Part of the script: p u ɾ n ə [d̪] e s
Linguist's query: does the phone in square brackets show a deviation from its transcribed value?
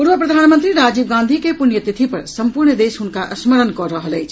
no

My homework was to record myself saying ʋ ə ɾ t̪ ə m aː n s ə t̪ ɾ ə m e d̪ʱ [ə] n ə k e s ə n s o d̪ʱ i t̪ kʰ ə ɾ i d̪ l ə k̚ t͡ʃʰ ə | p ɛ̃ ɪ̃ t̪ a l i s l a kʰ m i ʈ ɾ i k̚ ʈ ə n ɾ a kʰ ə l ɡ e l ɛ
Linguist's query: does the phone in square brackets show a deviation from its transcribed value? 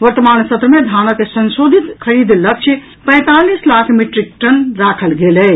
yes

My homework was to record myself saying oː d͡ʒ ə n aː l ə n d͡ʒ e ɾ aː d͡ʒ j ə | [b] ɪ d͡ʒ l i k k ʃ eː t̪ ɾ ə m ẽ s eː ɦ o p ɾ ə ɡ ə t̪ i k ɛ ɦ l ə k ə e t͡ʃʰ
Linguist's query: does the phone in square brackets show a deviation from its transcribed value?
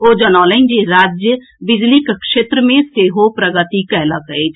no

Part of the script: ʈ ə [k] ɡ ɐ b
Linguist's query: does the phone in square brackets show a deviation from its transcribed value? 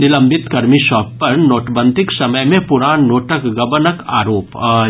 no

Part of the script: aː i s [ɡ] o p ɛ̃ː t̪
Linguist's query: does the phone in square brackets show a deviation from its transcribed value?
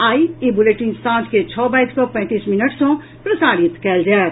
yes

